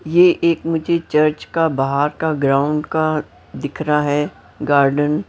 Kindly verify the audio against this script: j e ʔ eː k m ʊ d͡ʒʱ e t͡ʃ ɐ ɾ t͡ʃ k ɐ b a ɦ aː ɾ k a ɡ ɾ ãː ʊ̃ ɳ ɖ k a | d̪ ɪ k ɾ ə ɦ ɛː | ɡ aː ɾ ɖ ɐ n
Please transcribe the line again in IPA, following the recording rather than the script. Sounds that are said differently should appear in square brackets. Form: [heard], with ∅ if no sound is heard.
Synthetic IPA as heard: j e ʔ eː k m ʊ d͡ʒʱ e t͡ʃ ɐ ɾ t͡ʃ k [a] b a ɦ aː ɾ k a ɡ ɾ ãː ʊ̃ ɳ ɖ k a | d̪ ɪ [kʰ] ɾ [a] ɦ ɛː | ɡ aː ɾ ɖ [ə] n